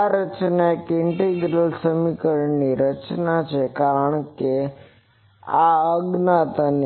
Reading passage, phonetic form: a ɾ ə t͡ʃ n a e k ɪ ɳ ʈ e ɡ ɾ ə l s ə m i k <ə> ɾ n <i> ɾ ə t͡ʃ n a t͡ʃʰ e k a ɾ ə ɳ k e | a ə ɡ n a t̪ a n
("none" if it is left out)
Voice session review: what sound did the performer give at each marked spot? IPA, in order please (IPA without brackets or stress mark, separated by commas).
ə, i